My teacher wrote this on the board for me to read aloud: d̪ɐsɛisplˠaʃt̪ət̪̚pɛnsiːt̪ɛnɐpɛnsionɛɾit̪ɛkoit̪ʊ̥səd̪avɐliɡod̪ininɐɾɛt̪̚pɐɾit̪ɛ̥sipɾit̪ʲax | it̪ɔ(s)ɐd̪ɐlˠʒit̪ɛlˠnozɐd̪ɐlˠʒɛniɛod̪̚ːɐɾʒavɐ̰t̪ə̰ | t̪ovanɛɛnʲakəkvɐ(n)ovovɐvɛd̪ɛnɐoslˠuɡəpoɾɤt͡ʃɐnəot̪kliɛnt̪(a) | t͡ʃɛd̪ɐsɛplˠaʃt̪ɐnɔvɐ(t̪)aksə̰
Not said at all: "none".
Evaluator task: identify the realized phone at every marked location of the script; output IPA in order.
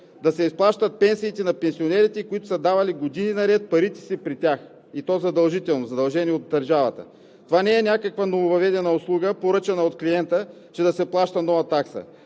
z, n, ə, t̪

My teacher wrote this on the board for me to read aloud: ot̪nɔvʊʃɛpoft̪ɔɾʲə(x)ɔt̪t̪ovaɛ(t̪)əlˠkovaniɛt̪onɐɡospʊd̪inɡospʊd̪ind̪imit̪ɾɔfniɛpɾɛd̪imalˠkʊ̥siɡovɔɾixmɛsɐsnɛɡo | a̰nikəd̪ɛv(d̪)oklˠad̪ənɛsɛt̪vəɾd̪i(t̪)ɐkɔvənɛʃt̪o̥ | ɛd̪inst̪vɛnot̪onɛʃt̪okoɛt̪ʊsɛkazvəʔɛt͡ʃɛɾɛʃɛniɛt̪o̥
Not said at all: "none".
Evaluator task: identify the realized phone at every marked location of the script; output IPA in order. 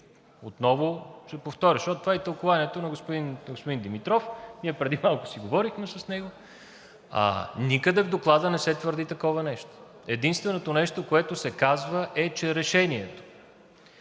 ʃ, t̪, d̪, t̪

